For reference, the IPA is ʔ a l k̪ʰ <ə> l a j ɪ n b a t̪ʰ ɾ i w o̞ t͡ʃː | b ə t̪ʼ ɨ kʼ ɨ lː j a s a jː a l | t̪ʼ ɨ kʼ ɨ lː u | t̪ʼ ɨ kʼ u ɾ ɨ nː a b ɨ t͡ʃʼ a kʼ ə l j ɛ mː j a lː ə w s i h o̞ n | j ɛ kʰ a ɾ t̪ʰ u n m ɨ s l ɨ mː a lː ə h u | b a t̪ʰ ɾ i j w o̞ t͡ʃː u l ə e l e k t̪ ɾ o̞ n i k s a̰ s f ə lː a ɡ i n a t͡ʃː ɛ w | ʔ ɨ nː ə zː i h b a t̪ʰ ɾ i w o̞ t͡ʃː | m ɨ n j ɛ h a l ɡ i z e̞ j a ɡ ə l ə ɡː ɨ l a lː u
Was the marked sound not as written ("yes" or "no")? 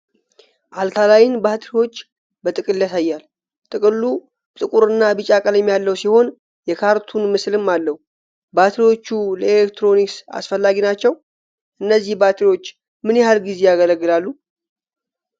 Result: yes